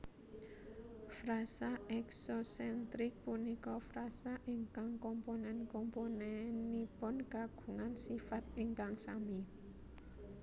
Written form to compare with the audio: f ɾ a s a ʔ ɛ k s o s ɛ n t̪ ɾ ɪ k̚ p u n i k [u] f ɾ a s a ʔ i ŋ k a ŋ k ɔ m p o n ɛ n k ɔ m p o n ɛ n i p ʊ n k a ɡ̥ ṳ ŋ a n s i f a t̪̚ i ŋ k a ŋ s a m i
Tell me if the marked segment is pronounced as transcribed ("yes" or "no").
no